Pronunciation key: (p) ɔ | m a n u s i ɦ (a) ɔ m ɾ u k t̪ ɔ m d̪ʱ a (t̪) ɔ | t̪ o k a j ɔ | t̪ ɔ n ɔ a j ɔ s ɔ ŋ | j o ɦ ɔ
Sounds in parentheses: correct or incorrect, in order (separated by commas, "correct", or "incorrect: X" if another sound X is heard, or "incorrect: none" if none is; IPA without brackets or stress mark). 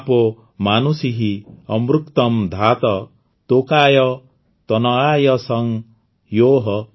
correct, incorrect: i, correct